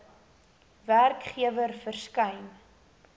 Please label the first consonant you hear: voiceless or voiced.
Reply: voiced